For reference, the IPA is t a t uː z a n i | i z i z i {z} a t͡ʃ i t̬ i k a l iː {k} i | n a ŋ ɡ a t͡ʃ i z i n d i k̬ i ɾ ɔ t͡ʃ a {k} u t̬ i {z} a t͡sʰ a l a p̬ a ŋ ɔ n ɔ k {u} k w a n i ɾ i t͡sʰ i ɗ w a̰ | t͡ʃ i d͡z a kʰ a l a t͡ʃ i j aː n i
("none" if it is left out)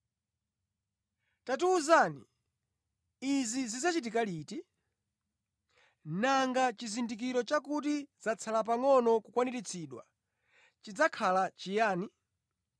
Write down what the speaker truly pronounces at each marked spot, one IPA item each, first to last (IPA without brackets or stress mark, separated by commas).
z, t, k, z, u